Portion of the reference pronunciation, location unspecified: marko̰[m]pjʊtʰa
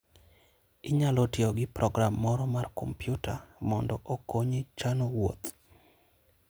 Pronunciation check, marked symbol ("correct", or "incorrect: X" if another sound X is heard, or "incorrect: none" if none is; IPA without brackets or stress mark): correct